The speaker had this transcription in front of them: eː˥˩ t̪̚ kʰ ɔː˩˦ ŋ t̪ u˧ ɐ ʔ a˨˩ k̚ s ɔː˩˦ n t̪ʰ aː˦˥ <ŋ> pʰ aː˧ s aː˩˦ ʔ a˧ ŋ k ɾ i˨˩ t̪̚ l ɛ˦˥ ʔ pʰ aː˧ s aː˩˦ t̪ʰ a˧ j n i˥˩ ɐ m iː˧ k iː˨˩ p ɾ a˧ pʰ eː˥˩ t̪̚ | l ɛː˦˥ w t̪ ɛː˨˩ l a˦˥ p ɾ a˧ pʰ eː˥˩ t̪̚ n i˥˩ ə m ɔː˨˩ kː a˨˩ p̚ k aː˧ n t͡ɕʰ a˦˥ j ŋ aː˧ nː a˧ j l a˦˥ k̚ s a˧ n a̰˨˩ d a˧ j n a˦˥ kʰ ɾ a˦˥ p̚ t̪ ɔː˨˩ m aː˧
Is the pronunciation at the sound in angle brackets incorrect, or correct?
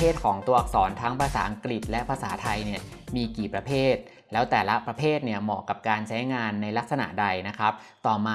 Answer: correct